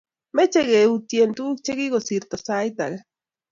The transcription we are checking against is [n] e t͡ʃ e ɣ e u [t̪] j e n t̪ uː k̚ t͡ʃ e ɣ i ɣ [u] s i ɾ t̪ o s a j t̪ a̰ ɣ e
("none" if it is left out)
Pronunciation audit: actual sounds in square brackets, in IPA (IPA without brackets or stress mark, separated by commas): m, t̪, o